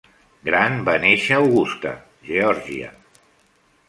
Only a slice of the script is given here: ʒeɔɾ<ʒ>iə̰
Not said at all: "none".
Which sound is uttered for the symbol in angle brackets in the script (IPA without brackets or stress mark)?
ʒ